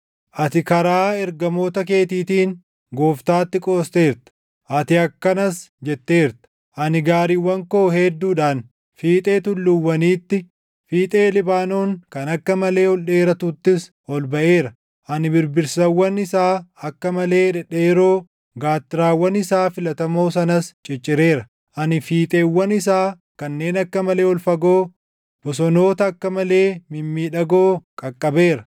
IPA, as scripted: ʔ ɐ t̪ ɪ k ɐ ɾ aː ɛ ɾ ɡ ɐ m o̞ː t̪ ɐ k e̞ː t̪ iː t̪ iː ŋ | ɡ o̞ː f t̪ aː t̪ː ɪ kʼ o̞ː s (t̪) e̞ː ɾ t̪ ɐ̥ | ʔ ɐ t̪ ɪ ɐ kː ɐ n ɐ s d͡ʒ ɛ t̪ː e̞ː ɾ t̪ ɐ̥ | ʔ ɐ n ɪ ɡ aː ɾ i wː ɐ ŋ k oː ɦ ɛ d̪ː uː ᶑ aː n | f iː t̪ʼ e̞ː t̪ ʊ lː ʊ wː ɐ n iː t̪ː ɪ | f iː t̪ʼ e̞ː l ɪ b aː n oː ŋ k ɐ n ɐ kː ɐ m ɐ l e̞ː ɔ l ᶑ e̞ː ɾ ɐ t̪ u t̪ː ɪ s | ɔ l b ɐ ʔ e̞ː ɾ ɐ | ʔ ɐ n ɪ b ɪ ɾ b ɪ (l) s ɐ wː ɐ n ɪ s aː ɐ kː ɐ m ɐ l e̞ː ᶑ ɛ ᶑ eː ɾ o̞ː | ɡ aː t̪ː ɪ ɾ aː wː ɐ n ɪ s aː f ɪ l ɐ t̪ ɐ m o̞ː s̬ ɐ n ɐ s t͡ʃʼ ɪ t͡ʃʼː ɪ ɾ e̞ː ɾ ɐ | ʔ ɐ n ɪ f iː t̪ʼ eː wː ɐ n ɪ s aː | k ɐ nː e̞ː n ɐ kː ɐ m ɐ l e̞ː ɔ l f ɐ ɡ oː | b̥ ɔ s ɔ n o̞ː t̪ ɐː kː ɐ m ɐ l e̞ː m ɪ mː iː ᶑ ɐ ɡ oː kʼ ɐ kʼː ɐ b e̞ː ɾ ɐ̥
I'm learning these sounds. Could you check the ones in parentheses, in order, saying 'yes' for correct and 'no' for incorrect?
yes, no

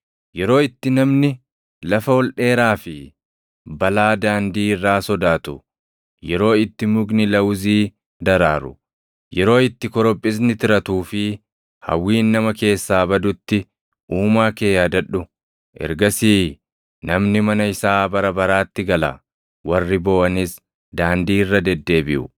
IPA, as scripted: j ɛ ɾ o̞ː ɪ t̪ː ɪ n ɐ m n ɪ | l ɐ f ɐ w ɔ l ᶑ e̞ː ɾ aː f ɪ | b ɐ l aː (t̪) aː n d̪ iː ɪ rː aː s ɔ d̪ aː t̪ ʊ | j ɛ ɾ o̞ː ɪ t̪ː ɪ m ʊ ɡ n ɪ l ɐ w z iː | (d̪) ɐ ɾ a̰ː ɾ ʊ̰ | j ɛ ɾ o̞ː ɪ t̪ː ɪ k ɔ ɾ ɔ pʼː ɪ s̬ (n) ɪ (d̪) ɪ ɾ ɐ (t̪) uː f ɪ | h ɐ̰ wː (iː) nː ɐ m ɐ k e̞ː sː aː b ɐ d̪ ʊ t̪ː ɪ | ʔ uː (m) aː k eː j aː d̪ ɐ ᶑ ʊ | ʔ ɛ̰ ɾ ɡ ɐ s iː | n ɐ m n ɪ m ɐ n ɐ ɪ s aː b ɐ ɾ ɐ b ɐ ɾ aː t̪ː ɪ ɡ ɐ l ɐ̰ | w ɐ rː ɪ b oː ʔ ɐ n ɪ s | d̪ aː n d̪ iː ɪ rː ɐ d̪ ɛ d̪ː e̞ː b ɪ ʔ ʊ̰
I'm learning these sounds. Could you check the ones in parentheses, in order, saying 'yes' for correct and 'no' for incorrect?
no, yes, yes, no, yes, yes, yes

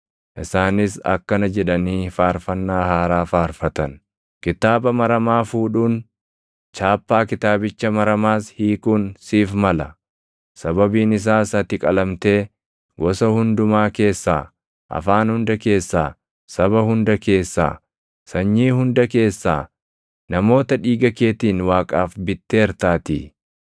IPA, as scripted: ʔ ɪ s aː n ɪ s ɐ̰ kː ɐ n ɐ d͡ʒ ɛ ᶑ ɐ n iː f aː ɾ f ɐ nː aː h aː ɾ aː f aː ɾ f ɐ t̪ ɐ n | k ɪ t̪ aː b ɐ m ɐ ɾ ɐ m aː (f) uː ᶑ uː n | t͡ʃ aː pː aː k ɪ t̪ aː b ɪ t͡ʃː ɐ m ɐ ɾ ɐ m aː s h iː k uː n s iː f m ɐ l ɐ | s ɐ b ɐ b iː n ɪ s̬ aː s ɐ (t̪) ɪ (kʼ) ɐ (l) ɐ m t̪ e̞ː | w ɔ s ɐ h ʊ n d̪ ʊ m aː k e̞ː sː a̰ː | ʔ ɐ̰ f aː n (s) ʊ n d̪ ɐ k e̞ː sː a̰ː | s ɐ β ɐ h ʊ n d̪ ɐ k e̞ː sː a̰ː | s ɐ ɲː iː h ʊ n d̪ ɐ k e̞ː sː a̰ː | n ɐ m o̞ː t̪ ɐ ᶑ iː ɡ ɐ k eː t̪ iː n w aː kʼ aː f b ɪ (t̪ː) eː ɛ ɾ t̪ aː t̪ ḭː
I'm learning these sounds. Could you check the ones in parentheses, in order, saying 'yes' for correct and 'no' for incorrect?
yes, yes, yes, yes, no, yes

